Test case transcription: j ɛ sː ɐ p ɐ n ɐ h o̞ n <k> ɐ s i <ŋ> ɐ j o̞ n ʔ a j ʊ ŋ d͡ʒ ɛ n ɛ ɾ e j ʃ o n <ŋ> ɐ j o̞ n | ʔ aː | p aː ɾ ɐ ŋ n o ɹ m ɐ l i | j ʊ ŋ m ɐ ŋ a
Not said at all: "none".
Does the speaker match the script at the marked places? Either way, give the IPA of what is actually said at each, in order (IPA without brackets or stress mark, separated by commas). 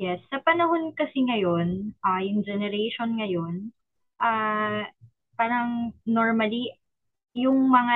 k, ŋ, ŋ